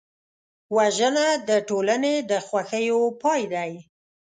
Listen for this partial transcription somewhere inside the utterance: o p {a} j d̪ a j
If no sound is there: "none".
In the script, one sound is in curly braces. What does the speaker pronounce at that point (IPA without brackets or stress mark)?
ɑ